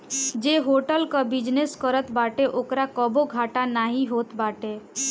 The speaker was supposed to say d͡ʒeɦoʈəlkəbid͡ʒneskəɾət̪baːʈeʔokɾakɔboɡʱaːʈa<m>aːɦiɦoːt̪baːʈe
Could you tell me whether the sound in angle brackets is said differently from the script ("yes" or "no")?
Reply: yes